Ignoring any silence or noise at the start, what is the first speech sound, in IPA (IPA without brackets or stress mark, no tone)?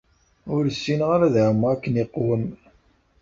ʊ